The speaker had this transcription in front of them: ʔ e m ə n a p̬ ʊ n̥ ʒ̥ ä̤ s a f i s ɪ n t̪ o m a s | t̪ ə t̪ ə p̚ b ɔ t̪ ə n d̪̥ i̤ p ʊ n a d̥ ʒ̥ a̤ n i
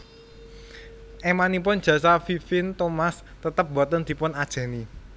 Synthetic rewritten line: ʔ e m a n i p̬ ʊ n̥ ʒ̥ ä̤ s a f i f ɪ n t̪ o m a s | t̪ ə t̪ ə p̚ b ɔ t̪ ə n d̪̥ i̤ p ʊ n a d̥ ʒ̥ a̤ n i

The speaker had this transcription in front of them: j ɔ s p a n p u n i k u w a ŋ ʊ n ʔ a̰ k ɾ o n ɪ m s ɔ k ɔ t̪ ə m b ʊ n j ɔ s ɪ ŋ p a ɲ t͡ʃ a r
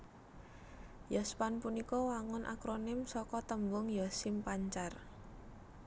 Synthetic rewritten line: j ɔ s p a n p u n i k ɔ w a ŋ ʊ n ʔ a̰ k ɾ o n ɪ m s ɔ k ɔ t̪ ə m b ʊ ŋ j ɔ s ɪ m p a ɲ t͡ʃ a r

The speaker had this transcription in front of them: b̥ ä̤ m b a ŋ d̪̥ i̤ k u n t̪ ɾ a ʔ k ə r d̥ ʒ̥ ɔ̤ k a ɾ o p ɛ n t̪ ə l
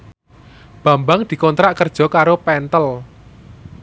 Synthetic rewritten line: b̥ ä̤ m b a ŋ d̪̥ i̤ k ɔ n t̪ ɾ a ʔ k ə r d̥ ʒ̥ ɔ̤ k a ɾ o p ɛ n t̪ ə l

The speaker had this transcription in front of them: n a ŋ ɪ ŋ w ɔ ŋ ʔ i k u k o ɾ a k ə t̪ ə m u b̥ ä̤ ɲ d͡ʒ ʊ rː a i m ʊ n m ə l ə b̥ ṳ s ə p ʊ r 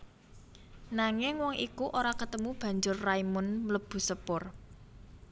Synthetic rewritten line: n a ŋ ɪ ŋ w ɔ ŋ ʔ i k u ʔ o ɾ a k ə t̪ ə m u b̥ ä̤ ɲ d͡ʒ ʊ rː a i m ʊ n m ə l ə b̥ ṳ s ə p ʊ r

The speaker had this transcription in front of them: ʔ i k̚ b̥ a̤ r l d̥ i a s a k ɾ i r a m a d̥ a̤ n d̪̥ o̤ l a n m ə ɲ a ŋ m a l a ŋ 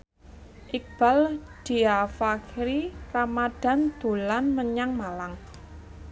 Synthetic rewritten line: ʔ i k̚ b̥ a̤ l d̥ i a f a k ɾ i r a m a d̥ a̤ n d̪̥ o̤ l a n m ə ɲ a ŋ m a l a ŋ

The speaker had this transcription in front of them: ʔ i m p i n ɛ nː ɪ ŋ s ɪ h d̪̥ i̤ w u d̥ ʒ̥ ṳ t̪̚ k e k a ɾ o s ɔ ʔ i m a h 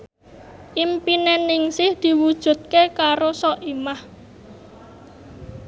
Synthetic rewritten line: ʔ i m p i n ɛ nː ɪ ŋ s ɪ h d̪̥ i̤ w u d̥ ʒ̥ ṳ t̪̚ k e k a ɾ o s ɔ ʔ i m a h

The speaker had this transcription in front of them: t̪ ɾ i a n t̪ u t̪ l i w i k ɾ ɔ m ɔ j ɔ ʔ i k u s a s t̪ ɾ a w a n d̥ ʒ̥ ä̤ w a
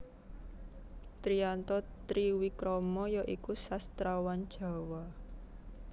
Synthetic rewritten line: t̪ ɾ i a n t̪ ɔ t̪ ɾ i w i k ɾ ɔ m ɔ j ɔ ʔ i k u s a s t̪ ɾ a w a n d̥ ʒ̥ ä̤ w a

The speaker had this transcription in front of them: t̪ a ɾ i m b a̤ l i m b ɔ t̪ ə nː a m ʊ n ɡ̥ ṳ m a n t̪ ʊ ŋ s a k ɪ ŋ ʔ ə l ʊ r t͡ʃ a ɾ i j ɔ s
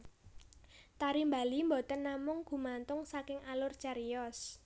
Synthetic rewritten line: t̪ a ɾ i m b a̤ l i m b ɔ t̪ ə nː a m ʊ ŋ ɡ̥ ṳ m a n t̪ ʊ ŋ s a k ɪ ŋ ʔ a l ʊ r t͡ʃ a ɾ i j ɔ s

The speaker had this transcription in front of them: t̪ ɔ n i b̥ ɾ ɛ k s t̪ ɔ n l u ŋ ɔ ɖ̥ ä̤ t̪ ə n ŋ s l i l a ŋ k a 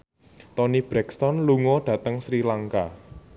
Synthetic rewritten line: t̪ ɔ n i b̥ ɾ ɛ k s t̪ ɔ n l u ŋ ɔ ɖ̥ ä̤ t̪ ə ŋ s ɾ i l a ŋ k a

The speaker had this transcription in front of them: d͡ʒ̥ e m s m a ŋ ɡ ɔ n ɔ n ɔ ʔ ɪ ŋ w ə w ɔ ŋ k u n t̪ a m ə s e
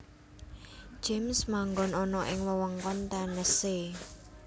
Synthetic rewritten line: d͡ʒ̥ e m s m a ŋ ɡ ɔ n ɔ n ɔ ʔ ɪ ŋ w ə w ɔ ŋ k ɔ n t̪ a n ə s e

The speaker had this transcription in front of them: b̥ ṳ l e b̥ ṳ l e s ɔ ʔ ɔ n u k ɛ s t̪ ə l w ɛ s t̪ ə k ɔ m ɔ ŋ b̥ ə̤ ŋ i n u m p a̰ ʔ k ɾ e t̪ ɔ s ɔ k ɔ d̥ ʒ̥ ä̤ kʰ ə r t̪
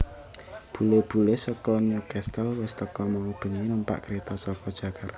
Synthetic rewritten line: b̥ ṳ l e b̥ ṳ l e s ɔ k ɔ n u k ɛ s t̪ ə l w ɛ s t̪ ə k ɔ m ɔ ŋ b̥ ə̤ ŋ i n u m p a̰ ʔ k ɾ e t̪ ɔ s ɔ k ɔ d̥ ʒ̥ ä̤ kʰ a r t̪

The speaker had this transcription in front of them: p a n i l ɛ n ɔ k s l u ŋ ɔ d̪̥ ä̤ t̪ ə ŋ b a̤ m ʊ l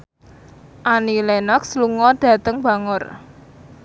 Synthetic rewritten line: ʔ a n i l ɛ n ɔ k s l u ŋ ɔ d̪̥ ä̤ t̪ ə ŋ b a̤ ŋ ʊ r

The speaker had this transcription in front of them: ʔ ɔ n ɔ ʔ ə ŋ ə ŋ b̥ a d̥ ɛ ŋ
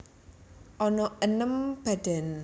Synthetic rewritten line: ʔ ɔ n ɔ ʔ ə n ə m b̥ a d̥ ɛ n

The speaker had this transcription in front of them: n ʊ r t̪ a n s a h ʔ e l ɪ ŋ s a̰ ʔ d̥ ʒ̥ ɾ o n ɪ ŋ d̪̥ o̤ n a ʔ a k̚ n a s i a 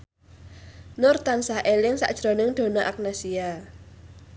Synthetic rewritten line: n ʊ r t̪ a n s a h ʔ e l ɪ ŋ s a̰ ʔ d̥ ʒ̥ ɾ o n ɪ ŋ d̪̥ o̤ n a ʔ a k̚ n a s i a

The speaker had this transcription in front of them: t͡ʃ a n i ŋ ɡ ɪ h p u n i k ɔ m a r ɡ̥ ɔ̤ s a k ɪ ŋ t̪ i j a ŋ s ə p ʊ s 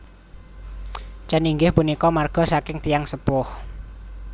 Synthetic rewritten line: t͡ʃ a n i ŋ ɡ ɪ h p u n i k ɔ m a r ɡ̥ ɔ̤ s a k ɪ ŋ t̪ i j a ŋ s ə p ʊ h

